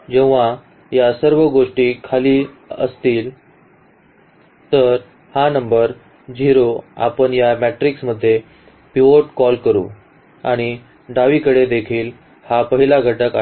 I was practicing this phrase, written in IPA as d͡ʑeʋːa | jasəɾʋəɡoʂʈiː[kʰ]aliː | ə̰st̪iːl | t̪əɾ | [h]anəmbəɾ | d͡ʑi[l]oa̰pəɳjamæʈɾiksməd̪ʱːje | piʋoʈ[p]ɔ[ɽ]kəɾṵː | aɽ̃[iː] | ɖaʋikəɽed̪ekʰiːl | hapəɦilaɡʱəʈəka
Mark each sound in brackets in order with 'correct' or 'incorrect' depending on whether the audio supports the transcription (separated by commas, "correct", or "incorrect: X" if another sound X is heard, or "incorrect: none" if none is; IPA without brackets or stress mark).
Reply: correct, correct, incorrect: ɾ, incorrect: k, incorrect: l, incorrect: i